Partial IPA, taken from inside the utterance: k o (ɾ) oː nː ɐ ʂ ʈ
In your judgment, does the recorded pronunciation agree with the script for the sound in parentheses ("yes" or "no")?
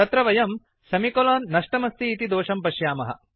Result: no